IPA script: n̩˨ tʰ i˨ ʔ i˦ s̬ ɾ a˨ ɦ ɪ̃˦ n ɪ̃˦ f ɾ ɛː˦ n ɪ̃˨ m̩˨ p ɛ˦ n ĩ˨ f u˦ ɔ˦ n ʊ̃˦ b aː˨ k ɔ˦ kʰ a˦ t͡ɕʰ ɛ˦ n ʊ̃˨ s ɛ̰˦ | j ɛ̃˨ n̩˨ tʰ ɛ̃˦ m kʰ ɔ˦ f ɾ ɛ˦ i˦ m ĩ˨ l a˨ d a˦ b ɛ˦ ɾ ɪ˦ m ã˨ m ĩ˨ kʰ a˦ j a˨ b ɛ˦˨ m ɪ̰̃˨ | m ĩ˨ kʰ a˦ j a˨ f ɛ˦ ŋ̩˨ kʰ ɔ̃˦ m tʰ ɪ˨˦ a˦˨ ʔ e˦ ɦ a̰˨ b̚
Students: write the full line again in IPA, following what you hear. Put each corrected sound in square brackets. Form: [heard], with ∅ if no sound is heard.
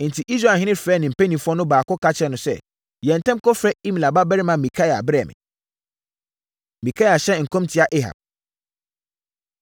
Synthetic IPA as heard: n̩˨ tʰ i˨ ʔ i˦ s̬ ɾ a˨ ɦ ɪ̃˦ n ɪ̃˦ f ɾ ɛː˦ n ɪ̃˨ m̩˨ p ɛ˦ n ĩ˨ f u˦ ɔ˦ n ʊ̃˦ b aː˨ k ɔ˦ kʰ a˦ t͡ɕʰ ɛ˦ n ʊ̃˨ s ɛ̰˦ | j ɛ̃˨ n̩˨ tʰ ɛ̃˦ m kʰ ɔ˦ f ɾ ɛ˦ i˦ m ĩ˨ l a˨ [b] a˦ b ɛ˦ ɾ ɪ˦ m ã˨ m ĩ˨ kʰ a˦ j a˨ b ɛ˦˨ m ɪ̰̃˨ | m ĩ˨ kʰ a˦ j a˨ [ɕ] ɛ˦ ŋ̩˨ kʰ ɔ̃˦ m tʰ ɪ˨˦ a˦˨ ʔ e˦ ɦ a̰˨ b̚